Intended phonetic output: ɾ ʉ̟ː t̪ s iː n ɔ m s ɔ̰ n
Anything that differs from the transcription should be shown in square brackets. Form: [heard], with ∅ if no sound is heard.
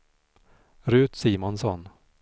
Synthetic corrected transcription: ɾ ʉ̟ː t̪ s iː [m] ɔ [n] s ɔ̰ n